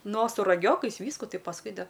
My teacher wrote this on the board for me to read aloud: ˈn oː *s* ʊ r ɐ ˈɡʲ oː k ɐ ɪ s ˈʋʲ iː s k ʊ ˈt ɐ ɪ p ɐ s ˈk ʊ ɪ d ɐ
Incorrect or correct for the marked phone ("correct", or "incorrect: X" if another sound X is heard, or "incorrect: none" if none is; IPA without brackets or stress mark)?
correct